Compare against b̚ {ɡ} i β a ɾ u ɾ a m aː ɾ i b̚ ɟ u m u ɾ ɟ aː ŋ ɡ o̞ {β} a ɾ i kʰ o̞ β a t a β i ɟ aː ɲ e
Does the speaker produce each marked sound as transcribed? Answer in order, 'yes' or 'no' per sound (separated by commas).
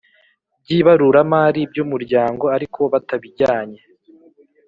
no, no